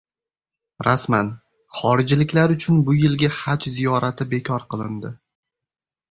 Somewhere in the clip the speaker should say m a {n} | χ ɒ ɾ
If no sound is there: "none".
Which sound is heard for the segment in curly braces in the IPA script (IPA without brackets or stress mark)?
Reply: n